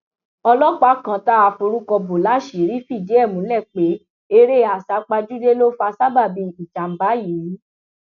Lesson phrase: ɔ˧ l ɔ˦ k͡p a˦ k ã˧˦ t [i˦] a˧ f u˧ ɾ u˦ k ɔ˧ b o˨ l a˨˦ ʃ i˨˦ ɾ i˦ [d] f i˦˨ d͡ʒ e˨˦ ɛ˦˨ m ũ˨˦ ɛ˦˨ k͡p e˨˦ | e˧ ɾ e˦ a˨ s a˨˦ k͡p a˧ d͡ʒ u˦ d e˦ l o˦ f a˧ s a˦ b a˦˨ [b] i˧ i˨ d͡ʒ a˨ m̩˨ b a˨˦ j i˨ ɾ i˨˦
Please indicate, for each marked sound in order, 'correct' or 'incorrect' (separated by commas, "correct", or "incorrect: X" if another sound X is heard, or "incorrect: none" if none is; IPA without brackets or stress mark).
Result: incorrect: a˦, incorrect: none, correct